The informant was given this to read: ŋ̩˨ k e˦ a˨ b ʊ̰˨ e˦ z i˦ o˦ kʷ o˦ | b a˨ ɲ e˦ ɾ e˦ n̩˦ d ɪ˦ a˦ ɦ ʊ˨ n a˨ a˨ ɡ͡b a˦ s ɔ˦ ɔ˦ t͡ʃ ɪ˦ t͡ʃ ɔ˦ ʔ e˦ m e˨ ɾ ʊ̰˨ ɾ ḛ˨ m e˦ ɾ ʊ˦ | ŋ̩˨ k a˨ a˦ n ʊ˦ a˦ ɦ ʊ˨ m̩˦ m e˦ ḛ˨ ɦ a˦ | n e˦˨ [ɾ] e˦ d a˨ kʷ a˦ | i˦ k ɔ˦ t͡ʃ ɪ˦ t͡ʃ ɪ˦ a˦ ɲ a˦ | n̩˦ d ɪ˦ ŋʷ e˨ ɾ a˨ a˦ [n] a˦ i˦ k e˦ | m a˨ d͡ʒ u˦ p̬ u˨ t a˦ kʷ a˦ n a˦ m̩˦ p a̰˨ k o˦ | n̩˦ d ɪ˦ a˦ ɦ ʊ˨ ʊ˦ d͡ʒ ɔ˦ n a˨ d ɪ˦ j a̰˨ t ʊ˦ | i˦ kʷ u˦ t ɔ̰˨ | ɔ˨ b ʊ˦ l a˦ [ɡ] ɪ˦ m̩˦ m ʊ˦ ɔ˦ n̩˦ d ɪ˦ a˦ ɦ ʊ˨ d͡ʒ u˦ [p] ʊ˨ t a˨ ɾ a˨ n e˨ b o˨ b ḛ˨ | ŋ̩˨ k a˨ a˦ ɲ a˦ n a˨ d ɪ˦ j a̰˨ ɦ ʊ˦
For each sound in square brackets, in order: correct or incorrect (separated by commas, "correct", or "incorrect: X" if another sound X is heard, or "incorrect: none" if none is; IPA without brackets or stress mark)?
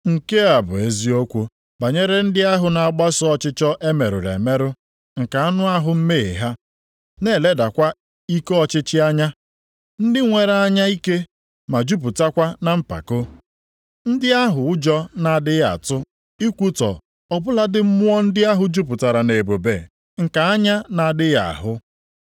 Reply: incorrect: l, incorrect: ɲ, incorrect: d, correct